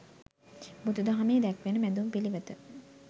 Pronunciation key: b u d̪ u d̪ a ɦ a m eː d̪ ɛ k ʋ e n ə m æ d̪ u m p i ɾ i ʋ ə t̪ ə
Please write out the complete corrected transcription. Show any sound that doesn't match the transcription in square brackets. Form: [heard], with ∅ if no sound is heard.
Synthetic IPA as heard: b u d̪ u d̪ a ɦ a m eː d̪ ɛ k ʋ e n ə m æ d̪ u m p i [l] i ʋ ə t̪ ə